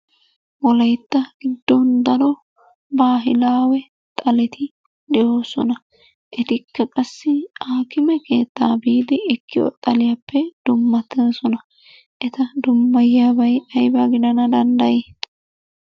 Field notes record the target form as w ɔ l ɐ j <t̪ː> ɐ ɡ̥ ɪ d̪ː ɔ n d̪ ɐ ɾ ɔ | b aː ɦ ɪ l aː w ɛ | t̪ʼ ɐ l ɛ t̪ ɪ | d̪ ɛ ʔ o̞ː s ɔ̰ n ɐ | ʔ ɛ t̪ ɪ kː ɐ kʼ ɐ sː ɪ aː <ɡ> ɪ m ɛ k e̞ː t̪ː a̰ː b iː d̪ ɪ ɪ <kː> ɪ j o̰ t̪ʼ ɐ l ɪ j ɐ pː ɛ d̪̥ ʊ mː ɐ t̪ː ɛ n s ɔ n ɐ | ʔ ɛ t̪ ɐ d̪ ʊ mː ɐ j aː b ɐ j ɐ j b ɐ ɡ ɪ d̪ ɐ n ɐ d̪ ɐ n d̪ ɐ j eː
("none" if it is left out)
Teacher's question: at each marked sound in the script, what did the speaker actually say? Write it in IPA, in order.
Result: t̪ː, k, kː

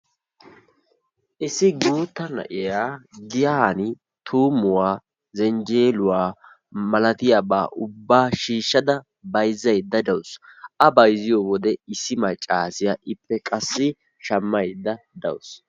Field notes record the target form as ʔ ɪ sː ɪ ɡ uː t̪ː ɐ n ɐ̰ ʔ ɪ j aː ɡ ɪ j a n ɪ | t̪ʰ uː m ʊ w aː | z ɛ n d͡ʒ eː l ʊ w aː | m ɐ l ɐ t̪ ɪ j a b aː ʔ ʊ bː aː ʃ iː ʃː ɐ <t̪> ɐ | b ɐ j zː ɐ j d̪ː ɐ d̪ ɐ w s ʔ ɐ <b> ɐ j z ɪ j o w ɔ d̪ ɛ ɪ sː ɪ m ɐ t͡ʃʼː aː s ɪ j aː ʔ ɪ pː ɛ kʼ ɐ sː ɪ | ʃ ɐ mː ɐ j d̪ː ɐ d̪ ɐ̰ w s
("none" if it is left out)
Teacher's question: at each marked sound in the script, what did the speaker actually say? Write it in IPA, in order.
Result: d̪, b

